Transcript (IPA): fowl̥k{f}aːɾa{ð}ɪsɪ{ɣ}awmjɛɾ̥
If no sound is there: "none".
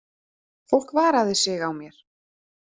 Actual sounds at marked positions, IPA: v, ð, ɣ

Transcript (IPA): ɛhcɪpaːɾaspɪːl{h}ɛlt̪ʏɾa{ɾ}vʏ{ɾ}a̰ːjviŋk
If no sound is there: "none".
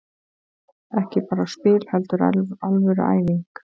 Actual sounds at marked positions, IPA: h, l, ɾ

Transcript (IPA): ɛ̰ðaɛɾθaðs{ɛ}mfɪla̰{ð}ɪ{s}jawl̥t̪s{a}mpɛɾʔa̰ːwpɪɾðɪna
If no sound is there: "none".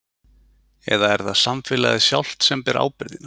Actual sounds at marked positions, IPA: a, ð, s, ɛ

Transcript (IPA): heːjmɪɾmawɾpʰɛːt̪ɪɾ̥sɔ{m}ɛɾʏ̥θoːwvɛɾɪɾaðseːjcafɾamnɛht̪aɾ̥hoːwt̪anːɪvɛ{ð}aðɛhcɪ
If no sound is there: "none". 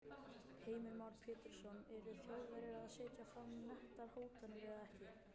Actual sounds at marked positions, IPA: n, ð

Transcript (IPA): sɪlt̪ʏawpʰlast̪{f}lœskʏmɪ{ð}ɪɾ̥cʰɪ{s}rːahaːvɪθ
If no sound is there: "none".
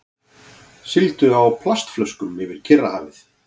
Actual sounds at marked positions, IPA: f, v, none

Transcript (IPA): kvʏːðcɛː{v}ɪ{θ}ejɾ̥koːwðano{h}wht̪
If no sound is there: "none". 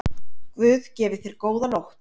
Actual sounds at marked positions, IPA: v, θ, none

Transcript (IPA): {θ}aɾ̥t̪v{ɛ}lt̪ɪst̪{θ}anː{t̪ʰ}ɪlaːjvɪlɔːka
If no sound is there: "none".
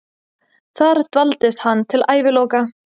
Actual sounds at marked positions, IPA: θ, a, h, t̪ʰ

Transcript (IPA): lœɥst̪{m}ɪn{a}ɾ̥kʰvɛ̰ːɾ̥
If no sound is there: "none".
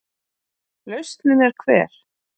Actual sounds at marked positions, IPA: n, ɛ

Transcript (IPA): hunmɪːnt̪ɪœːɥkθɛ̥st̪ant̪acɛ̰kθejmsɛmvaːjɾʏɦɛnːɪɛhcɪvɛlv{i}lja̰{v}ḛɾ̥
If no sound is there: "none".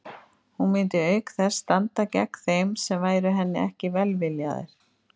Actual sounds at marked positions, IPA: ɪ, ð

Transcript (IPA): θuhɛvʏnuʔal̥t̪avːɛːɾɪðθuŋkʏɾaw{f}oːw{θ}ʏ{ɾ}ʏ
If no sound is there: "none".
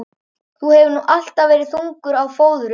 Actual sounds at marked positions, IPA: f, ð, ɾ

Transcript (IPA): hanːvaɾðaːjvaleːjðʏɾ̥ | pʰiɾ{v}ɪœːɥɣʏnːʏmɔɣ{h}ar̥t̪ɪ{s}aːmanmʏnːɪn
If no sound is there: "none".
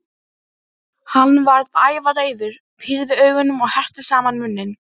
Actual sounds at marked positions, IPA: ð, h, s

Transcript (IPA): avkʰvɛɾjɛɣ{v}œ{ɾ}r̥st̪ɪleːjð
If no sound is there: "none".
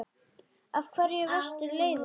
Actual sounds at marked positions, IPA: v, none

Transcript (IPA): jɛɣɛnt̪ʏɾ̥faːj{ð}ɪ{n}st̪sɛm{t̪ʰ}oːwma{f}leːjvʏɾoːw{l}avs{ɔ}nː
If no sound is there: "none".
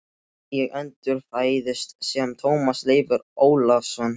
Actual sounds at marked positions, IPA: ð, none, t̪ʰ, s, l, ɔ

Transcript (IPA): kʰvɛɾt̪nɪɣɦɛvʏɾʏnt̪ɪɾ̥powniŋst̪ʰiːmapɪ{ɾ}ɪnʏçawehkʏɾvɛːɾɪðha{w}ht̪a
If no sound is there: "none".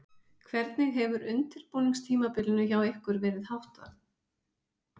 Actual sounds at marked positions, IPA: l, w

